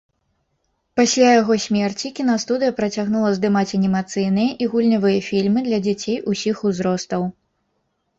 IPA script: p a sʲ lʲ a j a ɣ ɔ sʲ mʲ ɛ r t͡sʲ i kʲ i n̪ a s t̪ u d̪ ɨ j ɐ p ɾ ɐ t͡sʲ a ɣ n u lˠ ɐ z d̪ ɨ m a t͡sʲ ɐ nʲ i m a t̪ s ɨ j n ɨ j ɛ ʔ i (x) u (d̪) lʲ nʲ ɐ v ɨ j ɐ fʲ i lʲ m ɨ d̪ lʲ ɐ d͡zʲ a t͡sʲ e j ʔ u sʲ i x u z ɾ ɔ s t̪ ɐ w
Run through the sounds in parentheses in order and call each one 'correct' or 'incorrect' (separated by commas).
incorrect, incorrect